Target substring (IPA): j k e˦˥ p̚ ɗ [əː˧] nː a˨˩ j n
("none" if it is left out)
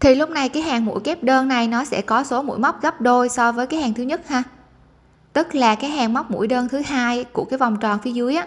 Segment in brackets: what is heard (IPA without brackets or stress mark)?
əː˧